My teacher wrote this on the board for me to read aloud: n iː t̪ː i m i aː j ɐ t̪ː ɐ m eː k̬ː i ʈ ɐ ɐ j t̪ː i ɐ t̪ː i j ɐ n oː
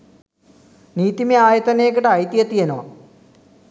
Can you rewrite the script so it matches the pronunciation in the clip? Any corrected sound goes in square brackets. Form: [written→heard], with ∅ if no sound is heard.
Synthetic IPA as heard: n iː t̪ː i m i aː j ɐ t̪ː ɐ [m→n] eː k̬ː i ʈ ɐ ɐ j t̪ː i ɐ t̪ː i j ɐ n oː